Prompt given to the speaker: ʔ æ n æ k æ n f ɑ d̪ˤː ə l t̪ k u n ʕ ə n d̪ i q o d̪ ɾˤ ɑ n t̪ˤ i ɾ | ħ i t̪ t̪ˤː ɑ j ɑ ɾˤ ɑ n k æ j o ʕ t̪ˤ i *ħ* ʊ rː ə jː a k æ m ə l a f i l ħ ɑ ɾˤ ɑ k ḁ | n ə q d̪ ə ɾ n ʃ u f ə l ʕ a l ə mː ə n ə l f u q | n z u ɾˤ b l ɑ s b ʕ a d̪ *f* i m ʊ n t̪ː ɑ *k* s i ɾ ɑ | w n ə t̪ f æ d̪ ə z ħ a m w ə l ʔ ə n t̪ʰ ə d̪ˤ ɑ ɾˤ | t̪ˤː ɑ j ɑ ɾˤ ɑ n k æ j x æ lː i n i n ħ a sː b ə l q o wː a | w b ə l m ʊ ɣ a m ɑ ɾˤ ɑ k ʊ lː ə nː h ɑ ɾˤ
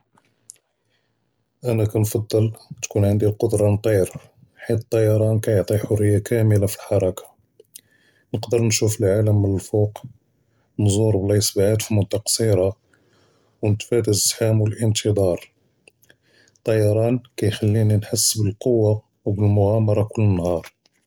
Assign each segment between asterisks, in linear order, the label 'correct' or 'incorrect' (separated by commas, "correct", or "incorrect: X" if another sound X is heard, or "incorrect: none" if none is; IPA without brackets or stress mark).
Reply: correct, correct, incorrect: q